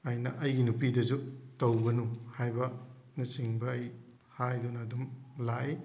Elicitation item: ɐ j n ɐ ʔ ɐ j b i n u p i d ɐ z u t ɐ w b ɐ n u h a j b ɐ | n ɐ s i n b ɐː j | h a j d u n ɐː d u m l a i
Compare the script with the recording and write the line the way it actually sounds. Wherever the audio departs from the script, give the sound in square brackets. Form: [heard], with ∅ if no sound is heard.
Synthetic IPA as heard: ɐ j n ɐ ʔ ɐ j [ɡ] i n u p i d ɐ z u t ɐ w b ɐ n u h a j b ɐ | n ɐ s i [ŋ] b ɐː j | h a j d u n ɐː d u m l a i

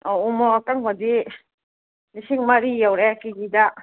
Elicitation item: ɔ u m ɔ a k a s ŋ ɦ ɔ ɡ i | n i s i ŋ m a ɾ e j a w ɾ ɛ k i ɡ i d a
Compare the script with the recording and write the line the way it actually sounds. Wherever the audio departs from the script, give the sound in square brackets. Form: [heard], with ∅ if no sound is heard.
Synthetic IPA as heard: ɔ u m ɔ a k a [∅] ŋ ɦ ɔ [d] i | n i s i ŋ m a ɾ [i] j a w ɾ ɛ k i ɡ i d a

